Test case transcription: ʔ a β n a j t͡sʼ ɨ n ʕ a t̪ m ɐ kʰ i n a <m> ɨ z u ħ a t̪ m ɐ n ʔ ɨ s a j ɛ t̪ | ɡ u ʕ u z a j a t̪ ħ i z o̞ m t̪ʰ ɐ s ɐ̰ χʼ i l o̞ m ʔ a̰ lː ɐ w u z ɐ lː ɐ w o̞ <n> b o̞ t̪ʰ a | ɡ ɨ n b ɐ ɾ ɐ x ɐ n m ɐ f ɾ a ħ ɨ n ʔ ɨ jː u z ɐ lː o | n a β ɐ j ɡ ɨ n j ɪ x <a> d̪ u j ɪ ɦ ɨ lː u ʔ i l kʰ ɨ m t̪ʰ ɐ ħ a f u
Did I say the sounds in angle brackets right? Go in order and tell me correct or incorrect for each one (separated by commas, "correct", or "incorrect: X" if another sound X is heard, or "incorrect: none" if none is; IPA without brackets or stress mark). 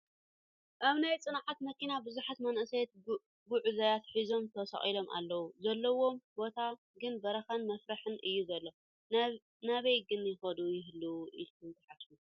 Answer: incorrect: b, incorrect: m, incorrect: ɐ